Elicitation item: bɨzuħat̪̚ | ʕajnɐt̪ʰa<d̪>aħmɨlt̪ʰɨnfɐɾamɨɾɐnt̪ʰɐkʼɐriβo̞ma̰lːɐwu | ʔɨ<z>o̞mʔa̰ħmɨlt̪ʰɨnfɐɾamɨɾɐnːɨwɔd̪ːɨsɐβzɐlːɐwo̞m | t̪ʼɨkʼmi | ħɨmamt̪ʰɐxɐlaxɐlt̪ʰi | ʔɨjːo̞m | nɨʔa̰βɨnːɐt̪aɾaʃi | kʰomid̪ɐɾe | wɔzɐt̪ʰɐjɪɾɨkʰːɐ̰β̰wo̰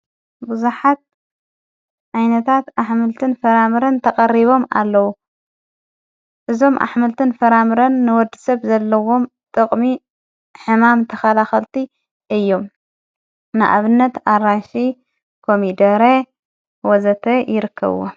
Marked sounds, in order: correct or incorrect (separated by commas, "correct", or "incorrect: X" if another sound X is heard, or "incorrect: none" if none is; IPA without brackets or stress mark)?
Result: incorrect: t̪, correct